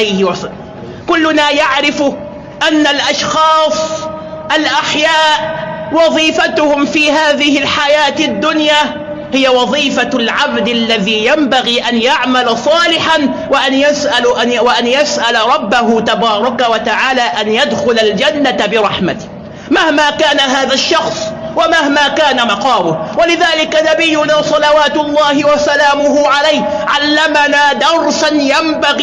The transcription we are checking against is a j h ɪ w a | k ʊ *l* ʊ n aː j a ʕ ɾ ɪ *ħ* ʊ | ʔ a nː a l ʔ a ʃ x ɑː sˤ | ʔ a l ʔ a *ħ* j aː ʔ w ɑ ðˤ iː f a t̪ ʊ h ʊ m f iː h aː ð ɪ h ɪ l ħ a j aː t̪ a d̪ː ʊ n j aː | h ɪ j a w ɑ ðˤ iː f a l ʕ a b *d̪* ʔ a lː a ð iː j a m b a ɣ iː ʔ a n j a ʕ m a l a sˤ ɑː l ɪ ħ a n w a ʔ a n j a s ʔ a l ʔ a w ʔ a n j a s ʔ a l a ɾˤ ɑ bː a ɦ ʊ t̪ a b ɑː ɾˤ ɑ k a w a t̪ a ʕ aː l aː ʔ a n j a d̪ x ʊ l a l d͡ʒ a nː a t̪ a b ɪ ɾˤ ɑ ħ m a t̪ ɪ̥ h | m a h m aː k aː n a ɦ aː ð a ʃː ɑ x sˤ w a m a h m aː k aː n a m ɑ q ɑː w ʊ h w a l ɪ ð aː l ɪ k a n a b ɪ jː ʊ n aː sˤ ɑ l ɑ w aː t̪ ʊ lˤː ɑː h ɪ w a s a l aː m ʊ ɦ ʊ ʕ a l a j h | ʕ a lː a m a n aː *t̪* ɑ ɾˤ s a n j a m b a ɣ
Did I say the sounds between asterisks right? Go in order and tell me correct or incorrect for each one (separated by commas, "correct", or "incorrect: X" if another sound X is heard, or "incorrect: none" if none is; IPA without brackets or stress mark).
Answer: incorrect: lː, incorrect: f, correct, correct, incorrect: d̪